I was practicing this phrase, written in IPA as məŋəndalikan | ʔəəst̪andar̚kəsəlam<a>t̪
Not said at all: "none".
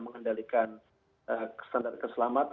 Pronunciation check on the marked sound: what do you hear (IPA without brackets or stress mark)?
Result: a